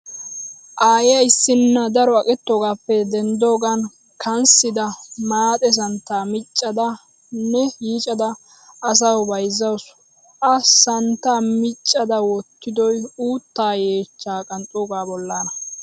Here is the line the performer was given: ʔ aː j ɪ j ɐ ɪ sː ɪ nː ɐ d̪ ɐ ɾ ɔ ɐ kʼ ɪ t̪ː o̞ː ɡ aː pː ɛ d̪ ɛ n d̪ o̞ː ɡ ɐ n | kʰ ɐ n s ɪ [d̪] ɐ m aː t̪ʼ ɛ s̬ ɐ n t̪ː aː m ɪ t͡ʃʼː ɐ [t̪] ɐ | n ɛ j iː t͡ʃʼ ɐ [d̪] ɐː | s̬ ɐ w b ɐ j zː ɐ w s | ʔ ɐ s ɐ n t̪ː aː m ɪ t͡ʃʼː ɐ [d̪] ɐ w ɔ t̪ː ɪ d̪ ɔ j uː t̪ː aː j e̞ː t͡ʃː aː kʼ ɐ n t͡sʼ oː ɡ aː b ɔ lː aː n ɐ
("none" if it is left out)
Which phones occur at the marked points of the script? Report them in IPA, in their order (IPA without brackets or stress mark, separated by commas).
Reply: d̪, d̪, d̪, d̪